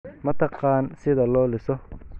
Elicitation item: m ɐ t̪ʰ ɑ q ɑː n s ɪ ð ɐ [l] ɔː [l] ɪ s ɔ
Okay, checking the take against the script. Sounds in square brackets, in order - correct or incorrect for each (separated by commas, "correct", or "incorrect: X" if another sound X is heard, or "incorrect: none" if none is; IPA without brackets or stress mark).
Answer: correct, correct